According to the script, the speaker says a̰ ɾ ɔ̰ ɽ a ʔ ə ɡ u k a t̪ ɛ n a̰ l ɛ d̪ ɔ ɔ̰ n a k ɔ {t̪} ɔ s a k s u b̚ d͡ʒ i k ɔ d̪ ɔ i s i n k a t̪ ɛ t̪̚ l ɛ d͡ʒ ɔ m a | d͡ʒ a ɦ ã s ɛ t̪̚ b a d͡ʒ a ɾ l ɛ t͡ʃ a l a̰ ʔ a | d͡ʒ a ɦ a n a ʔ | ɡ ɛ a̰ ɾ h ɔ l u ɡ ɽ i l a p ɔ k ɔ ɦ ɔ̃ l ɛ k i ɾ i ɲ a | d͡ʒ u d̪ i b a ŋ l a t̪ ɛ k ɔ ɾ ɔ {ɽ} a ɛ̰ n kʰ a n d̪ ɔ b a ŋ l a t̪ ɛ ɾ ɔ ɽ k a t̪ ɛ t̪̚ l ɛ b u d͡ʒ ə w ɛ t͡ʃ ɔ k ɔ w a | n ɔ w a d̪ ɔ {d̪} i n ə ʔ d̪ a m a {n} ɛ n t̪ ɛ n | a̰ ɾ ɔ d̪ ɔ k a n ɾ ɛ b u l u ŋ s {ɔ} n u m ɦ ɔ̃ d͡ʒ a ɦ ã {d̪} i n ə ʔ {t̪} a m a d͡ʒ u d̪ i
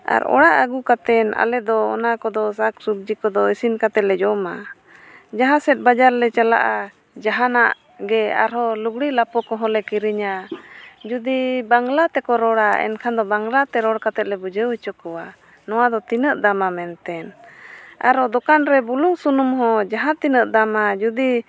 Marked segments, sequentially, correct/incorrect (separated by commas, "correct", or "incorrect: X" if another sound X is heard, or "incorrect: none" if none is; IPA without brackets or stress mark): incorrect: d̪, correct, incorrect: t̪, incorrect: m, incorrect: u, incorrect: t̪, incorrect: d̪